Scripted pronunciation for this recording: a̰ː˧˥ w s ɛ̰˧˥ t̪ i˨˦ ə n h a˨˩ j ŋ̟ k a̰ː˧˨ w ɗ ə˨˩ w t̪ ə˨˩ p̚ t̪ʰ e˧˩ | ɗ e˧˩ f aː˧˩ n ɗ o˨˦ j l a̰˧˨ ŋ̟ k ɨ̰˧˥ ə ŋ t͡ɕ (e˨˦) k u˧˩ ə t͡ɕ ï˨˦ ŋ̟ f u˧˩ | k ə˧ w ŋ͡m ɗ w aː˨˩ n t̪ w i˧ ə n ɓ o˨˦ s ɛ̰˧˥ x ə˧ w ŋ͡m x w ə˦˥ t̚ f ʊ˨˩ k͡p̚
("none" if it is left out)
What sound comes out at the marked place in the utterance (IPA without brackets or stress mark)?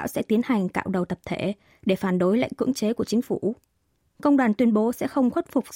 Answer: e˨˦